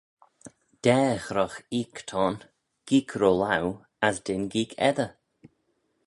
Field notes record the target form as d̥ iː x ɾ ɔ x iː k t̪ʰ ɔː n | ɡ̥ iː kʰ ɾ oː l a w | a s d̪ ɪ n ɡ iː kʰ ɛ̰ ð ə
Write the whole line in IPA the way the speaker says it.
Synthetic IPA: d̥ ɛː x ɾ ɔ x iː k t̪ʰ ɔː n | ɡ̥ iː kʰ ɾ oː l a w | a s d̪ ɪ n ɡ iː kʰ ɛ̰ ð ə